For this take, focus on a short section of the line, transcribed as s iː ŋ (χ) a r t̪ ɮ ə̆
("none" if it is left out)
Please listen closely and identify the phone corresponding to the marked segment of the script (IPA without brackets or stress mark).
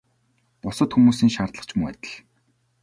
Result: ʃ